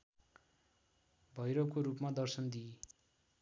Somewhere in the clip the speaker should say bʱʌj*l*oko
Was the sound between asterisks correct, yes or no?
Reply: no